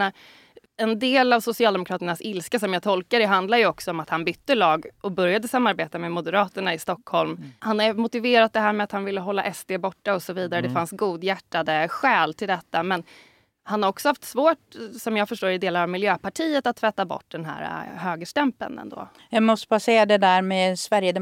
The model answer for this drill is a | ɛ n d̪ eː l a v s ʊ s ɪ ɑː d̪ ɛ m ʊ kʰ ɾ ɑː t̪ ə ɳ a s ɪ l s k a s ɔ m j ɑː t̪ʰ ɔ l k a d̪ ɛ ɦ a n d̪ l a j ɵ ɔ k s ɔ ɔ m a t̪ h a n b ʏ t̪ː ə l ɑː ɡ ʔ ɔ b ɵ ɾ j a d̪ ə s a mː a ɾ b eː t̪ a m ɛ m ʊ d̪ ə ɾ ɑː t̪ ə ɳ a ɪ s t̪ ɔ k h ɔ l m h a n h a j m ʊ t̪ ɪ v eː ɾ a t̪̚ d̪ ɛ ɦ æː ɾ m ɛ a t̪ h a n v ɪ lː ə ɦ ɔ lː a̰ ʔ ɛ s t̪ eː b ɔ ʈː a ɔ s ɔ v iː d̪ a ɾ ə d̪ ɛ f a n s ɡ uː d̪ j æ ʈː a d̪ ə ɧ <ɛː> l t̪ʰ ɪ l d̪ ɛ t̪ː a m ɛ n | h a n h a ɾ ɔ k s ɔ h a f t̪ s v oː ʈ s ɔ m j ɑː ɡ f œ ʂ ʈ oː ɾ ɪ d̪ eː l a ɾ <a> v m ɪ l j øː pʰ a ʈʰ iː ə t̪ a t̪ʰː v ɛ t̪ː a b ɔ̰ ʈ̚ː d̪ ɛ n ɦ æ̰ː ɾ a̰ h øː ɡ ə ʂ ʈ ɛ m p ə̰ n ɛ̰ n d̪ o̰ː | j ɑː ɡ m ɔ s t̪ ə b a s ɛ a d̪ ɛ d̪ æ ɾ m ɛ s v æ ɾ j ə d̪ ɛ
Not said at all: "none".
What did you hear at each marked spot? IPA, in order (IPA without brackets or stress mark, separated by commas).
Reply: ɛː, a